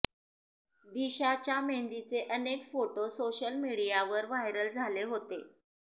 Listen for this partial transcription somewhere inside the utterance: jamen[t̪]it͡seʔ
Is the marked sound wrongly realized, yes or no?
yes